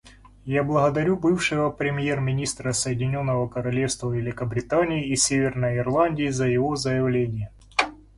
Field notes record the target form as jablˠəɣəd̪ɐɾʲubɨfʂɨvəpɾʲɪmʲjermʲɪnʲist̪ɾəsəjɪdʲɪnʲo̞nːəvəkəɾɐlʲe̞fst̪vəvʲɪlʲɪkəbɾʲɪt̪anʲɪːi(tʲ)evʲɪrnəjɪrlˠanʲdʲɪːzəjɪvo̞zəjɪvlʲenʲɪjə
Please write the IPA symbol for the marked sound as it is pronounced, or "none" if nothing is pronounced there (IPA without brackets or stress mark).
sʲ